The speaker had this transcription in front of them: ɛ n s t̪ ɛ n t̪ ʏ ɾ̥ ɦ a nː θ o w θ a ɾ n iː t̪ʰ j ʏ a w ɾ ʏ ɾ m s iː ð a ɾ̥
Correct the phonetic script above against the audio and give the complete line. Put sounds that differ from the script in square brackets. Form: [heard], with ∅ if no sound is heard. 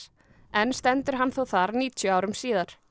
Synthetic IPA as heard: ɛ n s t̪ ɛ n t̪ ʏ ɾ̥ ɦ a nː θ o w θ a ɾ n iː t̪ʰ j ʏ a w ɾ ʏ [∅] m s iː ð a ɾ̥